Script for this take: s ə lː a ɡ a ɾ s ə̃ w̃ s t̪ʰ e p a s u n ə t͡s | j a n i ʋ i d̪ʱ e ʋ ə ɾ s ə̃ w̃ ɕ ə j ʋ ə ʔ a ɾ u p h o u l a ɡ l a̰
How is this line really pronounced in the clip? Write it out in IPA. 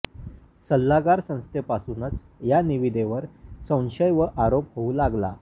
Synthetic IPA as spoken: s ə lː a ɡ a ɾ s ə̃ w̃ s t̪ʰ e p a s u n ə t͡s | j a n i ʋ i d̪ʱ e ʋ ə ɾ s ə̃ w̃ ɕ ə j ʋ ə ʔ a ɾ o p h o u l a ɡ l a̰